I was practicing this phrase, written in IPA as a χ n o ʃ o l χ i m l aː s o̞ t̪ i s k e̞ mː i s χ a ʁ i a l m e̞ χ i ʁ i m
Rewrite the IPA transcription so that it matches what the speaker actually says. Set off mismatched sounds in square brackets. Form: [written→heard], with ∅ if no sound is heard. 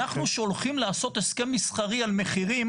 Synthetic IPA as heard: a χ n [o→u] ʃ o l χ i m l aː s o̞ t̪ [i→e] s k e̞ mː i s χ a ʁ i a l m e̞ χ i ʁ i m